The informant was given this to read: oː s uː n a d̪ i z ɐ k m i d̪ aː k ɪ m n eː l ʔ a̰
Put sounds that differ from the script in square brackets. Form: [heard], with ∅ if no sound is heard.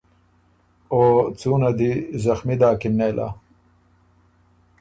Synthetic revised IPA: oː [t͡s] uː n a d̪ i z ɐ [x] m i d̪ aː k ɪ m n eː l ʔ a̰